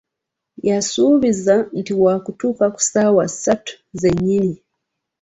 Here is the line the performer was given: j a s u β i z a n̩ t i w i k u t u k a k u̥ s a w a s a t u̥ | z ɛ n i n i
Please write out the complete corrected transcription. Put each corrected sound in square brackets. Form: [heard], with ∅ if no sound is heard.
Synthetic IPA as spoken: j a s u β i z a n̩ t i w [a] k u t u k a k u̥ s a w a s a t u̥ | z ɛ [ɲ] i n i

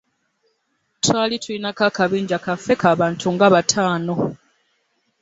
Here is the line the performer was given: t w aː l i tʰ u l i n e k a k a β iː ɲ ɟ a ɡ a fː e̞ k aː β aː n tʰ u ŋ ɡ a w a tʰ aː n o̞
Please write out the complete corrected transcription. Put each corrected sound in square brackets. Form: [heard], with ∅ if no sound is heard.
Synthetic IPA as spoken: t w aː l i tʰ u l i n [a] k a k a β iː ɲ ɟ a [k] a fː e̞ k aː β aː n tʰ u ŋ ɡ a [β] a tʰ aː n o̞

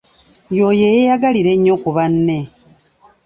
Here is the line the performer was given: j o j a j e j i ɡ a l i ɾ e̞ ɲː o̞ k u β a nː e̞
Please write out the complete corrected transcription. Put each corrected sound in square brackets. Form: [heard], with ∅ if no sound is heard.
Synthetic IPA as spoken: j o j [e] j e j [a] ɡ a l i ɾ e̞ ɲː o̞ k u β a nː e̞

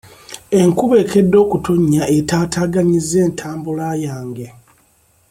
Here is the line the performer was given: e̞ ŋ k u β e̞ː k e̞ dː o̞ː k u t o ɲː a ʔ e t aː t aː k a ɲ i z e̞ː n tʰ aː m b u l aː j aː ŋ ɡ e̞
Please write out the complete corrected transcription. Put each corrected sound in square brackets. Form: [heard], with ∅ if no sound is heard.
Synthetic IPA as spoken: e̞ ŋ k u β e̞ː k e̞ dː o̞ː k u t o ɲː a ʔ e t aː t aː [ɡ] a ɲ i z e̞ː n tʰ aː m b u l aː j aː ŋ ɡ e̞

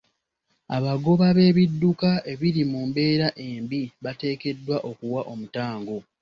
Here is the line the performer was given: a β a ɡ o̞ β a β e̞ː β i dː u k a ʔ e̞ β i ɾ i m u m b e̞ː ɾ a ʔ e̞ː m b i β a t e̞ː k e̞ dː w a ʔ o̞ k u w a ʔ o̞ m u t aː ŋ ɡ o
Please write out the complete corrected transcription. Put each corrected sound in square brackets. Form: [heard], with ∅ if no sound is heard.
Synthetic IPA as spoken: a β a ɡ o̞ β a β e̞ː β i dː u k a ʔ e̞ β i ɾ i m u m b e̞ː ɾ a ʔ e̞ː m b i β a t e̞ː k e̞ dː w a ʔ o̞ k u w a ʔ o̞ m u t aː ŋ ɡ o

